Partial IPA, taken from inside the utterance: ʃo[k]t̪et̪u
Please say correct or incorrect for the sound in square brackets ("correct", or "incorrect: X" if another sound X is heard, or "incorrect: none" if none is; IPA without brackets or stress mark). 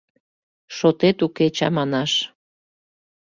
incorrect: none